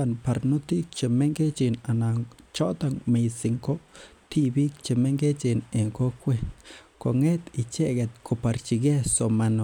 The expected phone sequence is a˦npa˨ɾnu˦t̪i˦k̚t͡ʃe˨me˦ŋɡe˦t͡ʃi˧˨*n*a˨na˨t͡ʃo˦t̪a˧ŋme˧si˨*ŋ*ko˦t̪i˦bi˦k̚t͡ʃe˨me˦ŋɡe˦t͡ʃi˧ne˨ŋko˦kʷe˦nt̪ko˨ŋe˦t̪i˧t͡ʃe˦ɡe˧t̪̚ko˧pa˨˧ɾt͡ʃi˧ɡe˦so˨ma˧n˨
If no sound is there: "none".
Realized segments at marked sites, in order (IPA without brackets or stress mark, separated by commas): n, ŋ